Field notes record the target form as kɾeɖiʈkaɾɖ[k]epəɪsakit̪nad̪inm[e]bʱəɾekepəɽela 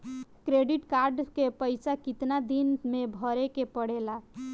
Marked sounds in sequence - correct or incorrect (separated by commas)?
correct, correct